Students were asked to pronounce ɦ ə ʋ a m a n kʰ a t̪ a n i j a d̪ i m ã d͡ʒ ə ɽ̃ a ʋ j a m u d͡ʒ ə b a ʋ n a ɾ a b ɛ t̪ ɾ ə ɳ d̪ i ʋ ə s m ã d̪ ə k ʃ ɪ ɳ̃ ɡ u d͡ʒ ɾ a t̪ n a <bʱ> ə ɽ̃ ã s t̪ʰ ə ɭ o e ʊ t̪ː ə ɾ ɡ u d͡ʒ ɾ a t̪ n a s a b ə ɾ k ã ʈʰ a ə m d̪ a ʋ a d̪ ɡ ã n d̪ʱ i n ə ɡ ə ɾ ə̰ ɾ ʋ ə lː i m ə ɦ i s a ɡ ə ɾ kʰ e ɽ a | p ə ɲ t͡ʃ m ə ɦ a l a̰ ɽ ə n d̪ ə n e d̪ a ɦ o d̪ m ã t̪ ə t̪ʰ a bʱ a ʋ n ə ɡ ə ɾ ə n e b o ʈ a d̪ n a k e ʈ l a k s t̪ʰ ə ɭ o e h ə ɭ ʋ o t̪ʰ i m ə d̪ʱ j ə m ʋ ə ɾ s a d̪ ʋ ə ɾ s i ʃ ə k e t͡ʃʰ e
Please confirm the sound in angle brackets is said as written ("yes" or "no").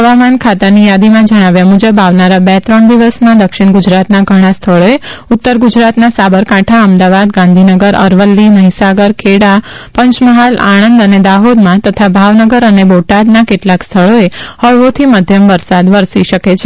no